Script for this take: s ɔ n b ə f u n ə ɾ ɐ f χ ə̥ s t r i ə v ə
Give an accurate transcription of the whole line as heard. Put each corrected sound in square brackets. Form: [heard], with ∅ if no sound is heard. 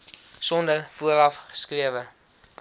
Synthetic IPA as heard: s ɔ n [d] ə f u [∅] ə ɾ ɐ f χ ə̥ s [k] r i ə v ə

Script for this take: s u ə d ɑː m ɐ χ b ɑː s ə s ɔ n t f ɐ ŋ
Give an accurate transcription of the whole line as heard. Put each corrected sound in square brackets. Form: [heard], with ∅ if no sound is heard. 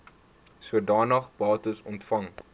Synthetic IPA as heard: s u ə d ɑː [n] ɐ χ b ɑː [t] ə s ɔ n t f ɐ ŋ

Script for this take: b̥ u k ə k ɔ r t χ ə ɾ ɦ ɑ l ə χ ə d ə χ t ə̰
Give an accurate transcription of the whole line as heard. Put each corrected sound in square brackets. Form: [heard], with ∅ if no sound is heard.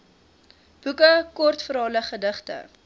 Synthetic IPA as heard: b̥ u k ə k ɔ r t [f] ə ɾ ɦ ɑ l ə χ ə d ə χ t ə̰

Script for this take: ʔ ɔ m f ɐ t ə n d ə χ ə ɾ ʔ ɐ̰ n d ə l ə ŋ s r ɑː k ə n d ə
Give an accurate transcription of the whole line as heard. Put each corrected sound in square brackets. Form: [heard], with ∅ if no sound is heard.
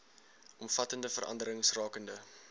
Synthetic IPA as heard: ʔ ɔ m f ɐ t ə n d ə [f] ə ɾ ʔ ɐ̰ n d ə [ɾ] ə ŋ s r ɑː k ə n d ə

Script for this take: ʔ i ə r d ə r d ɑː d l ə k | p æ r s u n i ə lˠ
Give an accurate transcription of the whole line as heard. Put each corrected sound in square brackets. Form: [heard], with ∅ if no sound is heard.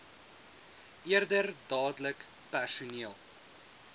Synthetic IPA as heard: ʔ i ə r d ə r d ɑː d l ə k | p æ r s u n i ə lˠ

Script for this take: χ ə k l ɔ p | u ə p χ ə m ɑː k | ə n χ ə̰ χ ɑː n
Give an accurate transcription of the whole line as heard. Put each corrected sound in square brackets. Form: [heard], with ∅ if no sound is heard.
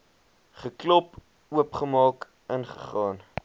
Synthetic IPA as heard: χ ə k l ɔ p | u ə p χ ə m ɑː k | ə n χ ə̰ χ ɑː n

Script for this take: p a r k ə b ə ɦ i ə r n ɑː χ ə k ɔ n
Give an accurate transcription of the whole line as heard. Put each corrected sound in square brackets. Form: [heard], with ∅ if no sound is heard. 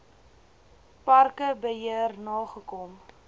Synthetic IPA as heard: p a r k ə b ə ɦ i ə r n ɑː χ ə k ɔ [m]

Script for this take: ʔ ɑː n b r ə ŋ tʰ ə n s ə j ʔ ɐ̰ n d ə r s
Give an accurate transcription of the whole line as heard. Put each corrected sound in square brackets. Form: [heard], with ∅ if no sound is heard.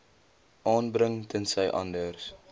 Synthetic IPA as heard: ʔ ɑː n b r ə ŋ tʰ ə n s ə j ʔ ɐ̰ n d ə r s

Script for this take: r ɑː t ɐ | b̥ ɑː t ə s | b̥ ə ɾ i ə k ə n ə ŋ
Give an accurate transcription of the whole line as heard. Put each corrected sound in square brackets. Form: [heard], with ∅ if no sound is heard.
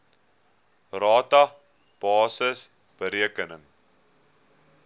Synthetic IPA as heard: r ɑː t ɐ | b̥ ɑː [s] ə s | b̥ ə ɾ i ə k ə n ə ŋ

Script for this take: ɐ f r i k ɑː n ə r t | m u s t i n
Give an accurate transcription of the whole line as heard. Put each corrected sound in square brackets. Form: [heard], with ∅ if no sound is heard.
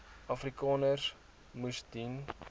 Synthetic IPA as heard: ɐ f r i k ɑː n ə r [s] | m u s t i n

